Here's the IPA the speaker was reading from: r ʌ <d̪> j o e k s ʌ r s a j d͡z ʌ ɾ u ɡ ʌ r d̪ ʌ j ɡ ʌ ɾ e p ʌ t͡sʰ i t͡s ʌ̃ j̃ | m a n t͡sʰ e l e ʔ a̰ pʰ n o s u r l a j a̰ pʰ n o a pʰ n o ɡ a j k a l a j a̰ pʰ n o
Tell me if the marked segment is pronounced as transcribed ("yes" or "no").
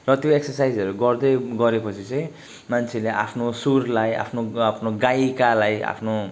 no